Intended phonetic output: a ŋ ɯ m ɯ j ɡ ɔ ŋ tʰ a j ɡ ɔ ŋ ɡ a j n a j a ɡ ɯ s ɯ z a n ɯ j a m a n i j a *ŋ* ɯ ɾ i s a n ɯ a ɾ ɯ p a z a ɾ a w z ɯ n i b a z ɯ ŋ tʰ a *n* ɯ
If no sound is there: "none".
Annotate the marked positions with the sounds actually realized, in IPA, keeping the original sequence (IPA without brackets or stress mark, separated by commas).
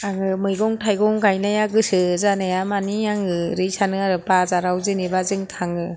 ŋ, ŋ